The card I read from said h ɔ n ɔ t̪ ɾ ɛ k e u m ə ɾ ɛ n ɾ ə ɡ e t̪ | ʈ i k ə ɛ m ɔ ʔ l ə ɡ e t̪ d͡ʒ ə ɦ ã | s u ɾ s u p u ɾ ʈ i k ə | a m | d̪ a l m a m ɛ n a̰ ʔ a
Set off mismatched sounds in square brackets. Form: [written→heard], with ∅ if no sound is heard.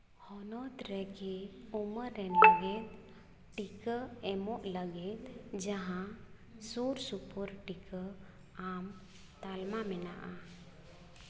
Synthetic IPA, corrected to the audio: h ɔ n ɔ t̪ ɾ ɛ k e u m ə ɾ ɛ n [ɾ→l] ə ɡ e t̪ | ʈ i k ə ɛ m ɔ ʔ l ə ɡ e t̪ d͡ʒ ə ɦ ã | s u ɾ s u p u ɾ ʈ i k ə | a m | [d̪→t̪] a l m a m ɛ n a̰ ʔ a